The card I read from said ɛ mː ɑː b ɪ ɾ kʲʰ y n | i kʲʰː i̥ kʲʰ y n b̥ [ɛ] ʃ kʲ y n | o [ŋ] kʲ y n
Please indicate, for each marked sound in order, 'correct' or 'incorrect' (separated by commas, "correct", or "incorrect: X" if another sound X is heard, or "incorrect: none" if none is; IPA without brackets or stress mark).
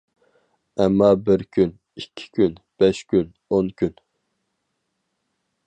correct, incorrect: n